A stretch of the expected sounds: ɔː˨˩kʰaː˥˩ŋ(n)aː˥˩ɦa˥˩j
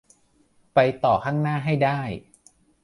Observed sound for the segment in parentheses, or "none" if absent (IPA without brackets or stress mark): n